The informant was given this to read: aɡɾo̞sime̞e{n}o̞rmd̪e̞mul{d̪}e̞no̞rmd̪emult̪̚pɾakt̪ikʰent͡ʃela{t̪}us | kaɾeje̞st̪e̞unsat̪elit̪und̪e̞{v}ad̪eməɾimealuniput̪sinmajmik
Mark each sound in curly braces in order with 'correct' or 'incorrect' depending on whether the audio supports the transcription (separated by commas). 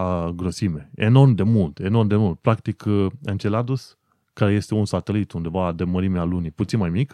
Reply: correct, incorrect, incorrect, correct